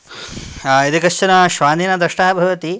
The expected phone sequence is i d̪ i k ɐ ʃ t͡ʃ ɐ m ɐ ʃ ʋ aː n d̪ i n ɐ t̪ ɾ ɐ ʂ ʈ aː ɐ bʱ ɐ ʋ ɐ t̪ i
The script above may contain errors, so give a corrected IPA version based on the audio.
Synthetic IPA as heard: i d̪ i k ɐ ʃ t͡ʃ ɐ n ɐ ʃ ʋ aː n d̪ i n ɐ d̪ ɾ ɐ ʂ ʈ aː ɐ bʱ ɐ ʋ ɐ t̪ i